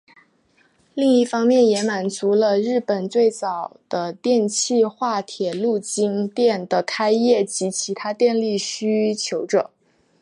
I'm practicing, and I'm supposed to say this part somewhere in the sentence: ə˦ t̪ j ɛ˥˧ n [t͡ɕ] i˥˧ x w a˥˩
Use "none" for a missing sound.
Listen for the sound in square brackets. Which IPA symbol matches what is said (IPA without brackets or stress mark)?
t͡ɕʰ